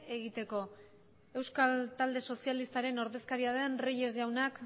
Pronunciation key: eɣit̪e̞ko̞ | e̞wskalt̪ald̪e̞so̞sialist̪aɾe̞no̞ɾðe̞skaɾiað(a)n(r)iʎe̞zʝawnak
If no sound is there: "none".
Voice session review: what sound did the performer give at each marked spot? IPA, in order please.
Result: e, r

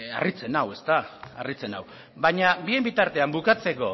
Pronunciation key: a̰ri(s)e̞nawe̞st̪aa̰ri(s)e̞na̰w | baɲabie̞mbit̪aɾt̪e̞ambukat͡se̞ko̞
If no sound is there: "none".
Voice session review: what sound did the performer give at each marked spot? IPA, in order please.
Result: t͡s, t͡s

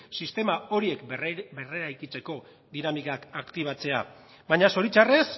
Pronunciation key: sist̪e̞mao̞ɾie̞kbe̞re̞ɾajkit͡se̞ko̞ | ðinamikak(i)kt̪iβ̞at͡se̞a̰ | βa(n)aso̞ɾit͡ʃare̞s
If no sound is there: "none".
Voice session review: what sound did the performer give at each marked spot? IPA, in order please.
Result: a, ɲ

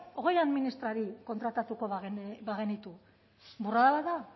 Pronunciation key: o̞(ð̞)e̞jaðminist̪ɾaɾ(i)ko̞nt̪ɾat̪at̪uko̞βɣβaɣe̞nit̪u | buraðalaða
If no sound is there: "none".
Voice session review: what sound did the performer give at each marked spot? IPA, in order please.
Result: ɣ̞, i

